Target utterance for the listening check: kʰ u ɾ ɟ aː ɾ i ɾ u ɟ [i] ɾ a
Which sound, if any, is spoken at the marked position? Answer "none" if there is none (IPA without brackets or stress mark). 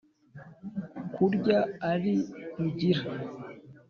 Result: i